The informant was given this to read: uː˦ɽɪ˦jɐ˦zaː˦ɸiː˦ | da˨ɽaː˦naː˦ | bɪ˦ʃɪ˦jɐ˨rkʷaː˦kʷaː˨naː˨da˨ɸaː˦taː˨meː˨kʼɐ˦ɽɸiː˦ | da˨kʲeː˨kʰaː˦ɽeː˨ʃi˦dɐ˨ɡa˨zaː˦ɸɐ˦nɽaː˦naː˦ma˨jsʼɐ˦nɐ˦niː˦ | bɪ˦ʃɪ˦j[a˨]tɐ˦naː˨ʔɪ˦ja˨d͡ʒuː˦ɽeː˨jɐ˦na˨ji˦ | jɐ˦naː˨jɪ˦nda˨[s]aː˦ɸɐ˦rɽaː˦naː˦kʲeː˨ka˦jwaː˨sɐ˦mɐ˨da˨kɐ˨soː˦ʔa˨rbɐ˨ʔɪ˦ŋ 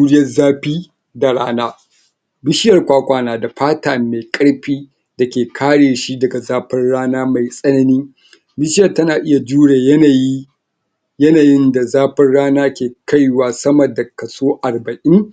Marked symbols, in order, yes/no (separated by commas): no, no